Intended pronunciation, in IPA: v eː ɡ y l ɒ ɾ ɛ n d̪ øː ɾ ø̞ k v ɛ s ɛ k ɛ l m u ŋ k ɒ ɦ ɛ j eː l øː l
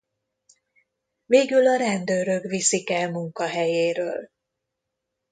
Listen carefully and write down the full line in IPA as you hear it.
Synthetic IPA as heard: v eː ɡ y l ɒ ɾ ɛ n d̪ øː ɾ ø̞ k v i s i k ɛ l m u ŋ k ɒ ɦ ɛ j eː ɾ øː l

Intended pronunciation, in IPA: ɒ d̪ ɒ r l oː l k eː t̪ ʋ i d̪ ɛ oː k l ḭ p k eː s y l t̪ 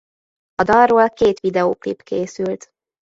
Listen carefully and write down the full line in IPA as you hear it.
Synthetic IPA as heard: ɒ d̪ ɒ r r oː l k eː t̪ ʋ i d̪ ɛ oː k l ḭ p k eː s y l t̪

